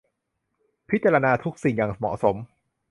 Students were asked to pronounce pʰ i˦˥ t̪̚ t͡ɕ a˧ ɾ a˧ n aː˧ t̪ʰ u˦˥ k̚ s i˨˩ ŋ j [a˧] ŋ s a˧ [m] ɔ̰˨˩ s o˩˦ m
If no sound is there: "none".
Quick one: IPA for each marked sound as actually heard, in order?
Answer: a˨˩, m

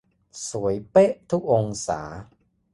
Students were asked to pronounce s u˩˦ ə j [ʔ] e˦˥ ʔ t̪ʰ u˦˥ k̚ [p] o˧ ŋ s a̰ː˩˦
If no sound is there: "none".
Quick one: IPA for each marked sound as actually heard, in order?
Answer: p, ʔ

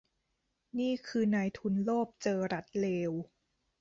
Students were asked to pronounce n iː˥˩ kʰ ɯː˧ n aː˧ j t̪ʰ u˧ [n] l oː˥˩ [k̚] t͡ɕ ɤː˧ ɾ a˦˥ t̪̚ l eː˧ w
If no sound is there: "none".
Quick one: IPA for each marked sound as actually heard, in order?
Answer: n, p̚

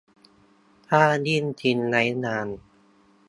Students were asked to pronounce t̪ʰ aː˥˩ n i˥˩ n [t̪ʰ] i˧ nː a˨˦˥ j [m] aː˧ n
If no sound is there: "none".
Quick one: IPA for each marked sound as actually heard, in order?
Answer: t̪ʰ, n

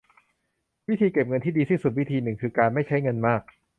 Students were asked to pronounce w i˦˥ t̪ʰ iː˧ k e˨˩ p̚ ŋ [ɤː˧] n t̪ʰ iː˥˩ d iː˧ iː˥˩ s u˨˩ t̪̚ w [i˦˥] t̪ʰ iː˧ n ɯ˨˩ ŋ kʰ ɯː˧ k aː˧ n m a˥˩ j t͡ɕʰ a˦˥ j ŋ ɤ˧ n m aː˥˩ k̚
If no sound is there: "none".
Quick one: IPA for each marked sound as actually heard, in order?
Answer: ɤ˧, i˦˥

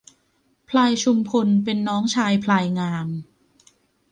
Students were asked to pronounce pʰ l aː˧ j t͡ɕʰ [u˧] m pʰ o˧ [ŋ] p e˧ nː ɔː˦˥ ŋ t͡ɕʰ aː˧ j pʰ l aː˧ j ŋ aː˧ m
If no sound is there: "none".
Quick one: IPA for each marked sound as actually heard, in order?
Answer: u˧, n

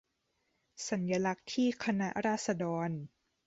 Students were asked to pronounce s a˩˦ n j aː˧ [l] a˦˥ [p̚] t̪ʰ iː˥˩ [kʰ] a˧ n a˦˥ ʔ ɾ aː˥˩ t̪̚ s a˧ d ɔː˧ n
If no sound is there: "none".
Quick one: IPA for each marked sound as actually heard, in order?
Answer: l, k̚, kʰ

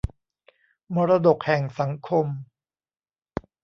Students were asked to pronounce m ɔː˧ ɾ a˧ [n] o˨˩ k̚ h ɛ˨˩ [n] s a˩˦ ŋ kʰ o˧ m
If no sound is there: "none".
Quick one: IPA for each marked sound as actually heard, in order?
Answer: d, ŋ

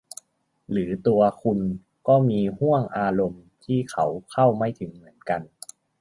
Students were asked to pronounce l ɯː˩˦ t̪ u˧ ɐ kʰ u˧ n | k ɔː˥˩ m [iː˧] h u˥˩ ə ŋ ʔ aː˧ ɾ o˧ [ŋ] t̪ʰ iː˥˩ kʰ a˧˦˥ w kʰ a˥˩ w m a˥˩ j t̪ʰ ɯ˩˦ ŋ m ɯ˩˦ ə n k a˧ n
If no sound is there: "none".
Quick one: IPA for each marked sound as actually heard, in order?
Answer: iː˧, m

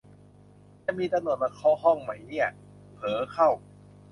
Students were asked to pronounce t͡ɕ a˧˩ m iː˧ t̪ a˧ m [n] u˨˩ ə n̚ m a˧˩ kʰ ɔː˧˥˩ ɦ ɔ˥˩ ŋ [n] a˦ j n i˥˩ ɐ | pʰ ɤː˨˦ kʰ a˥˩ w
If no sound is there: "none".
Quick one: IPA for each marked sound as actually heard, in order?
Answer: n, m

